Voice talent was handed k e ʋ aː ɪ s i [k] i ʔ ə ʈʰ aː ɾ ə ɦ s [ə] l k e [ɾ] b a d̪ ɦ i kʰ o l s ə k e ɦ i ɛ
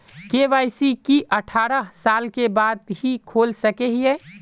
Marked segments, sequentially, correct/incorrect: correct, incorrect: a, incorrect: none

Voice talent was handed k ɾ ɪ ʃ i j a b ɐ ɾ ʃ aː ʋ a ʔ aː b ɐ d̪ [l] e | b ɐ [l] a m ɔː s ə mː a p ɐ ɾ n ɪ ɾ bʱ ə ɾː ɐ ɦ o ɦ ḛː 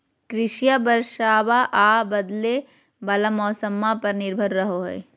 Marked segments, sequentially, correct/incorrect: correct, correct

